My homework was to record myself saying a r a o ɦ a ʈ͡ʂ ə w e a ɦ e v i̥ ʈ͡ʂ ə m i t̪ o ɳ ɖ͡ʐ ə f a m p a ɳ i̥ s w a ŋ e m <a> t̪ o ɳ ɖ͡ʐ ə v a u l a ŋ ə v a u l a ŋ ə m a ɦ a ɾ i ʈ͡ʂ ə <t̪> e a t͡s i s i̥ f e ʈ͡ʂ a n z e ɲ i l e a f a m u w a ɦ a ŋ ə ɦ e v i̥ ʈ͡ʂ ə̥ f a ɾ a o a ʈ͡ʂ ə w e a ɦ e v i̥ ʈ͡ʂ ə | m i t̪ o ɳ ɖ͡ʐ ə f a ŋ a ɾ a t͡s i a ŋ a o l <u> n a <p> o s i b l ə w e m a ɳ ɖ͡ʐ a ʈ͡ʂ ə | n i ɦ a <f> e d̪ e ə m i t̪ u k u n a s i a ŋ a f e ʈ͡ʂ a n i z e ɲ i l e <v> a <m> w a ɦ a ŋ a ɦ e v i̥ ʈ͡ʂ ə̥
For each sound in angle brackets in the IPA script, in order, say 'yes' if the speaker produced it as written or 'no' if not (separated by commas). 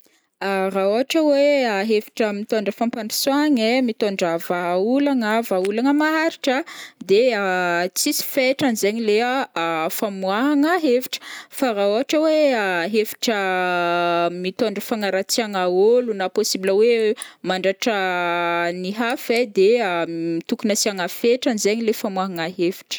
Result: no, no, yes, yes, yes, no, yes